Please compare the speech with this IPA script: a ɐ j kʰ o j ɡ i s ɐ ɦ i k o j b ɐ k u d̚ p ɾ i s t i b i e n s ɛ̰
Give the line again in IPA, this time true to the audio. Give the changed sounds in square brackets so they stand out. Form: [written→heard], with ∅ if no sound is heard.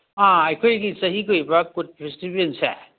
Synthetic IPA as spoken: a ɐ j kʰ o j ɡ i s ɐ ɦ i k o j b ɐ k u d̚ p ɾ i s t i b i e n s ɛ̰